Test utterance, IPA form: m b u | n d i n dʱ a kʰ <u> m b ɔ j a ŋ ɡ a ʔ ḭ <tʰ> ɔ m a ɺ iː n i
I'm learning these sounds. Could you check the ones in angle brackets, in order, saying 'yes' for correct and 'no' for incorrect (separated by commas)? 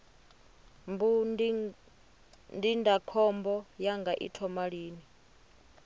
no, yes